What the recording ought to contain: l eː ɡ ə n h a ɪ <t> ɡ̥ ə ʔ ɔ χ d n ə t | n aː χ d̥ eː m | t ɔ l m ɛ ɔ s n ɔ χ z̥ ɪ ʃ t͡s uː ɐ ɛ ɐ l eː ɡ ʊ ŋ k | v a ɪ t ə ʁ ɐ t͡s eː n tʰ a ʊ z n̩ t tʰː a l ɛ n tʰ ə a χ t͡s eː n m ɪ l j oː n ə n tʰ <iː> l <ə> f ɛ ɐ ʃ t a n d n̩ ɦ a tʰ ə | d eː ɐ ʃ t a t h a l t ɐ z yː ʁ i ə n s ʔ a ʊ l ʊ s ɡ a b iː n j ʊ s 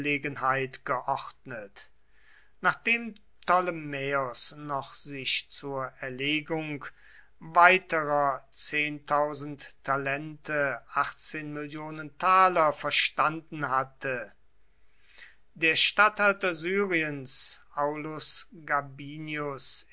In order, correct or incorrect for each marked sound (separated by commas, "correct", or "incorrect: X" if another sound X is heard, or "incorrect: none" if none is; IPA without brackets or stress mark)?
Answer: correct, incorrect: aː, incorrect: ɐ